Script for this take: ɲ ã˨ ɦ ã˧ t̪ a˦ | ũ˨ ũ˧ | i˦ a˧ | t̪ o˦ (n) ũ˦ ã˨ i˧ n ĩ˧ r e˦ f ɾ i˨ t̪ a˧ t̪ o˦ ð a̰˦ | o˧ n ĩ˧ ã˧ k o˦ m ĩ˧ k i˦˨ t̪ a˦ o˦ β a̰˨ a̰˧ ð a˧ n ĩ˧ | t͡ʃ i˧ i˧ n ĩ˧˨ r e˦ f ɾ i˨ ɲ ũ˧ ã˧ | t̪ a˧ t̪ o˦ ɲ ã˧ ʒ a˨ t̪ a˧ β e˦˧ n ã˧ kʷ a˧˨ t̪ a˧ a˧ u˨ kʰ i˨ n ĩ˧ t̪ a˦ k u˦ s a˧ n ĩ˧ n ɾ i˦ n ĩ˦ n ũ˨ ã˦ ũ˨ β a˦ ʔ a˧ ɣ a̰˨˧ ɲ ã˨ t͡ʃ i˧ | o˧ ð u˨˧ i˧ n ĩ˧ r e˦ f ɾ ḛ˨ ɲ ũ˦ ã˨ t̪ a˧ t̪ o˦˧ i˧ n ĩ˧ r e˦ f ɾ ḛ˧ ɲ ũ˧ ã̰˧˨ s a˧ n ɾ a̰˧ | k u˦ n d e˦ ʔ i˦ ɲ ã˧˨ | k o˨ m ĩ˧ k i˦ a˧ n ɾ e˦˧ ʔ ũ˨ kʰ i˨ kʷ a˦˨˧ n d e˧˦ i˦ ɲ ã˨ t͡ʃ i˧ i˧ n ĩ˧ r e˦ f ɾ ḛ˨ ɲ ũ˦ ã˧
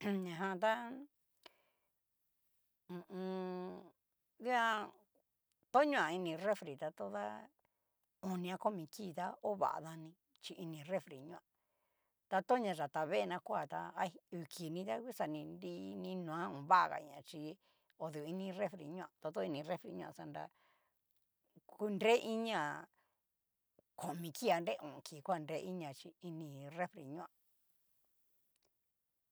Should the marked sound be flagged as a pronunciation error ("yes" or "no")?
yes